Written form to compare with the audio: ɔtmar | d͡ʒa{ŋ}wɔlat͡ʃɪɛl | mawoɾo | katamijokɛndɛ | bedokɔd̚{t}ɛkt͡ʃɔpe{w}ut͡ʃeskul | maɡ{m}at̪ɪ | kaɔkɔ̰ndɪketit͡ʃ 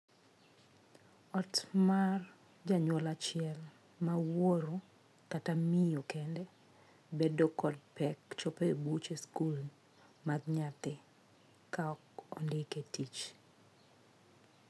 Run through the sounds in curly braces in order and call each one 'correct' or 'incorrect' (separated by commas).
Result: incorrect, incorrect, incorrect, incorrect